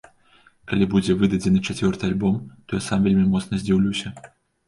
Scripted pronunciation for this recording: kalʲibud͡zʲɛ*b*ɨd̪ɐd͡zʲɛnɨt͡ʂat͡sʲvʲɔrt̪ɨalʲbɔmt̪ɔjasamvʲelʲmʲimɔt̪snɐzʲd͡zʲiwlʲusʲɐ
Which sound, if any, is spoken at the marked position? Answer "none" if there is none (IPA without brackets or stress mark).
v